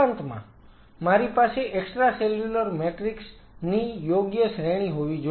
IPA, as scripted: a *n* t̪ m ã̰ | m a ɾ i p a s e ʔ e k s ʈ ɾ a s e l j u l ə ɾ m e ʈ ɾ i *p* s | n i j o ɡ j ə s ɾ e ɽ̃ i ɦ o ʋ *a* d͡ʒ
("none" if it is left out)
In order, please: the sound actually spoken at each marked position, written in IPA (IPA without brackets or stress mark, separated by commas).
n, k, i